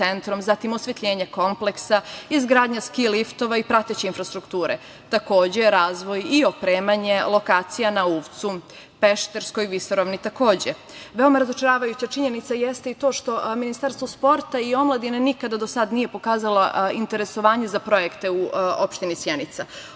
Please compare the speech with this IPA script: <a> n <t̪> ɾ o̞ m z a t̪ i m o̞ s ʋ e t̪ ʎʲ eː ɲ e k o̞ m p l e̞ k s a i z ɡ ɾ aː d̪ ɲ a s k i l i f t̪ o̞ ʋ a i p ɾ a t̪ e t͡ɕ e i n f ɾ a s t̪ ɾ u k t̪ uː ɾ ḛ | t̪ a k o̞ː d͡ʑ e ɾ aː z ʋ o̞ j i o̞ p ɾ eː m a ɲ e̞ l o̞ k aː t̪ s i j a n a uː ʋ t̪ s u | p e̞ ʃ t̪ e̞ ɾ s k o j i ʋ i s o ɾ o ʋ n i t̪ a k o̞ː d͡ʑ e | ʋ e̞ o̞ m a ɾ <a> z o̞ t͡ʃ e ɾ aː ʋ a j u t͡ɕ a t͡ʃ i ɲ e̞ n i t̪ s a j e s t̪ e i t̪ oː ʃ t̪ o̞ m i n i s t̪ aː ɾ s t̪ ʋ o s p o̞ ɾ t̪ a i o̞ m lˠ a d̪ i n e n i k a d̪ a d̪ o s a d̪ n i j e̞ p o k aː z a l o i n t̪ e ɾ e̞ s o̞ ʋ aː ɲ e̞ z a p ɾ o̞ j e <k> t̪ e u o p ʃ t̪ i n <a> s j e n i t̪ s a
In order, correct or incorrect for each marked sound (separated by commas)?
incorrect, correct, correct, correct, incorrect